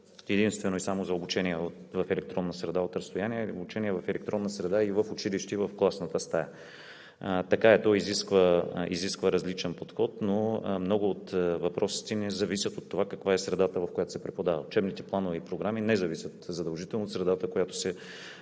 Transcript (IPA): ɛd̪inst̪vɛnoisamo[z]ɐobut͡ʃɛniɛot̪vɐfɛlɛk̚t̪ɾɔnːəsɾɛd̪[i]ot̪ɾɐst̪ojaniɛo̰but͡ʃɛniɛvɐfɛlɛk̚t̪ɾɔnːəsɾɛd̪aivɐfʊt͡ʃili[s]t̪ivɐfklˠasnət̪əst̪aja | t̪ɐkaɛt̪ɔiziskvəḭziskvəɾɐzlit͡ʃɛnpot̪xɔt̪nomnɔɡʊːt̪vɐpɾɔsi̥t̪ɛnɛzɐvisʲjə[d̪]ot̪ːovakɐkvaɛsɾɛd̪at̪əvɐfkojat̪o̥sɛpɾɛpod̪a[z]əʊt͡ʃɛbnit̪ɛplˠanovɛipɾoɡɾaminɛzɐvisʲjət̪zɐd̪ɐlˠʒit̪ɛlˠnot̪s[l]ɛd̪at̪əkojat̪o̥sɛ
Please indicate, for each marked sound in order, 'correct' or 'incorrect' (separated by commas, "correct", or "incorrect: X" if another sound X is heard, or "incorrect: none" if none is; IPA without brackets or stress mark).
correct, incorrect: a, incorrect: ʃ, incorrect: t̪, incorrect: v, incorrect: ɾ